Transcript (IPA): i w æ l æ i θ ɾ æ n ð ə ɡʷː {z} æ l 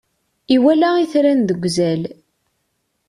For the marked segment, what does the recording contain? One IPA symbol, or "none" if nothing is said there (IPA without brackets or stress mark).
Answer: z